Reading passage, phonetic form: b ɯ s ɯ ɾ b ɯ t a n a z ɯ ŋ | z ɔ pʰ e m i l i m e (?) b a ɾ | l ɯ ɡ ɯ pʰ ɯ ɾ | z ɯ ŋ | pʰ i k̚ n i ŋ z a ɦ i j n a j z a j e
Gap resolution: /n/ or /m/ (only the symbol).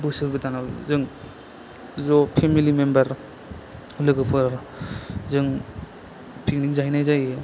m